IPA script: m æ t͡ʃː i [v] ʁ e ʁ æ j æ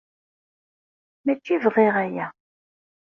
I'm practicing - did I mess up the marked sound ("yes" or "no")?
no